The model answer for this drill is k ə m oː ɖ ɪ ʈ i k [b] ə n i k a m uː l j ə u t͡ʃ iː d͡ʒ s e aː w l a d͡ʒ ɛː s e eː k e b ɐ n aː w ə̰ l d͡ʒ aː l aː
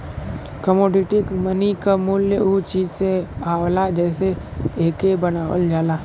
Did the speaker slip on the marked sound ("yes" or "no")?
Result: yes